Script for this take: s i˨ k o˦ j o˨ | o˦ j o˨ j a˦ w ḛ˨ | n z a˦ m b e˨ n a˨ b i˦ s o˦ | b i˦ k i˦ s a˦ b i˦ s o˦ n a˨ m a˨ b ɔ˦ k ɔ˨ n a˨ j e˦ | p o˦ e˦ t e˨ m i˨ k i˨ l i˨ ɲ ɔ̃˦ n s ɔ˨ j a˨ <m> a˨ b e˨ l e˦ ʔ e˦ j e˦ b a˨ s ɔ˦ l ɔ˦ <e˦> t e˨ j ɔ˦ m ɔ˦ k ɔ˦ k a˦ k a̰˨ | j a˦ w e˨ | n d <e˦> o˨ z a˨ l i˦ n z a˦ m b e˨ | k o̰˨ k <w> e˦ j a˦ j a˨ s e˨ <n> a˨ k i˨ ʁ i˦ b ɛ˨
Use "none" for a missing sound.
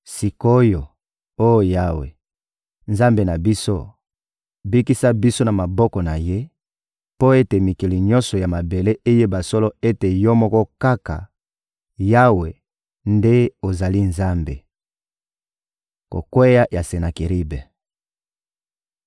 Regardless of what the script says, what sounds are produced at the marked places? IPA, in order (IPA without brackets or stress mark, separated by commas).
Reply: m, e˦, e˦, w, n